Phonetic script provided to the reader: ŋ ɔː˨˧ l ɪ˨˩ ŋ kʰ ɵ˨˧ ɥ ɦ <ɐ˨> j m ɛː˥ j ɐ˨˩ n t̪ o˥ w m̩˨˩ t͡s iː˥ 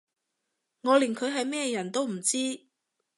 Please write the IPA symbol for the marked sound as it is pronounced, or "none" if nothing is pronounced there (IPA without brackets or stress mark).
ɐ˨